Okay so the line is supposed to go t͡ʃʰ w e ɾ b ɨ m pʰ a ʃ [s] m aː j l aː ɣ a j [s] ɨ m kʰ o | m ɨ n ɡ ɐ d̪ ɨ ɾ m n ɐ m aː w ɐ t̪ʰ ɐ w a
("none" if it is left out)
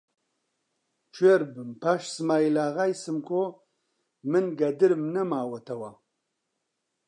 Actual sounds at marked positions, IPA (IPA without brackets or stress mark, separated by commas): s, s